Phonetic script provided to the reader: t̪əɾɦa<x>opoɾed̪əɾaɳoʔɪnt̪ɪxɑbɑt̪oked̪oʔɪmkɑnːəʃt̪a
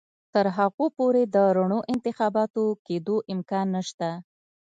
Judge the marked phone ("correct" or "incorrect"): incorrect